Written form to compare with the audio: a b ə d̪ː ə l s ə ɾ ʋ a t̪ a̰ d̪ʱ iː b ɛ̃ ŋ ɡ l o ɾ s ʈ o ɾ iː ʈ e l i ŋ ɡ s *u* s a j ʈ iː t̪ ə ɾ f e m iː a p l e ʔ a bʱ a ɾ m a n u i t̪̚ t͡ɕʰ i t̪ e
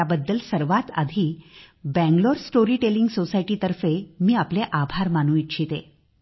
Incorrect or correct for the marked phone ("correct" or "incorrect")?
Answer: incorrect